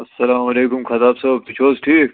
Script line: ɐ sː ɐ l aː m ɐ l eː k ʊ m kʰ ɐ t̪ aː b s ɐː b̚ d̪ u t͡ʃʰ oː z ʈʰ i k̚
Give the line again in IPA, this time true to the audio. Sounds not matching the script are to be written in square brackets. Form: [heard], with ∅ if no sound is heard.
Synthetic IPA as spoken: ɐ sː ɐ l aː m ɐ l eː k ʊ m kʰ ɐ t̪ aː b s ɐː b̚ [t̪] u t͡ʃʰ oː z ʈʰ [iː] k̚